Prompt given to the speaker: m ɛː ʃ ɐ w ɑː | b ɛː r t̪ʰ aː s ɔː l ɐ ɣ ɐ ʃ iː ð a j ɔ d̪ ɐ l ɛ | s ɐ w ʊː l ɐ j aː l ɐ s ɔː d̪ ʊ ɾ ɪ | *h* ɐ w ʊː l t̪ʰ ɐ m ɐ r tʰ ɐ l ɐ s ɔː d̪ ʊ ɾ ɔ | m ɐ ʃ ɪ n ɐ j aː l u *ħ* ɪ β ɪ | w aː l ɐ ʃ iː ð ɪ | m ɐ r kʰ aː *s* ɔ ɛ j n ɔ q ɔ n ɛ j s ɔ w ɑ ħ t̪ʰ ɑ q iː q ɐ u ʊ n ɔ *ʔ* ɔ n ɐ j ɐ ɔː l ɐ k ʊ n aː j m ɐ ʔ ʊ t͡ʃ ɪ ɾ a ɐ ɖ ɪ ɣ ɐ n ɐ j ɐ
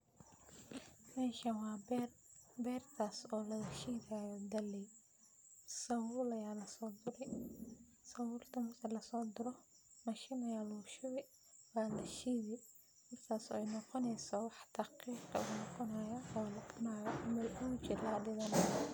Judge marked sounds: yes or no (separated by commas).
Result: no, no, yes, no